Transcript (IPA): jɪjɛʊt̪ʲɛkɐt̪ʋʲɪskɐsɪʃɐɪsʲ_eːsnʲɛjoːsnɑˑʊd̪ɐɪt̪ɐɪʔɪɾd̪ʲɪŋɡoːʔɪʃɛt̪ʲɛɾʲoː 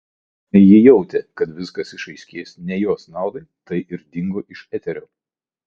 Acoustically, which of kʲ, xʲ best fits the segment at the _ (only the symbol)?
kʲ